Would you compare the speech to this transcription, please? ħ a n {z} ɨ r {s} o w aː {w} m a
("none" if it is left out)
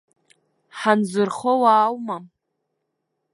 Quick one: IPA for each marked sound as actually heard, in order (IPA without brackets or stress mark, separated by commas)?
z, χ, w